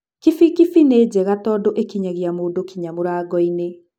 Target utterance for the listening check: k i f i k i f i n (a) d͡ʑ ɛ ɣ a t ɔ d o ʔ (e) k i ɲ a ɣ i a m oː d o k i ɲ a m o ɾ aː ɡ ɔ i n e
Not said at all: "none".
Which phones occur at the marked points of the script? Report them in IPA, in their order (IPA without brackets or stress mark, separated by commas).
e, e